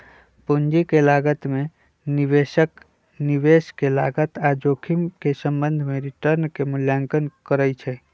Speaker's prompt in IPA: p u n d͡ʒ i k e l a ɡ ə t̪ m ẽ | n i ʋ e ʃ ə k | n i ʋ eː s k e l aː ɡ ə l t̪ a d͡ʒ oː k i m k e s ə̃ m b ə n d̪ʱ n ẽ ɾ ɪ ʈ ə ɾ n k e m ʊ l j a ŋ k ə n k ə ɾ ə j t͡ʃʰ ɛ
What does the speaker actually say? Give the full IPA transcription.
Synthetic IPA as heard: p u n d͡ʒ i k e l a ɡ ə t̪ m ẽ | n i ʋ e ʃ ə k | n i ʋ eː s k e l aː ɡ ə t̪ a d͡ʒ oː kʰ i m k e s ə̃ m b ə n d̪ʱ m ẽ ɾ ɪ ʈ ə ɾ n k e m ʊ l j a ŋ k ə n k ə ɾ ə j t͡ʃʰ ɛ